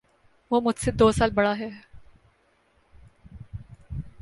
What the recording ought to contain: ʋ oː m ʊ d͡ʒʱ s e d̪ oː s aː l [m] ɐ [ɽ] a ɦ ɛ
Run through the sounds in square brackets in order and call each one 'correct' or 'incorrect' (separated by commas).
incorrect, correct